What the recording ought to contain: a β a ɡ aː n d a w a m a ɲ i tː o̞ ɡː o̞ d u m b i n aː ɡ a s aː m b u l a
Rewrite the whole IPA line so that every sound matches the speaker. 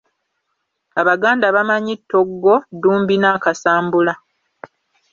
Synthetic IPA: a β a ɡ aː n d a β a m a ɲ i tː o̞ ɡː o̞ d uː m b i n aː k a s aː m b u l a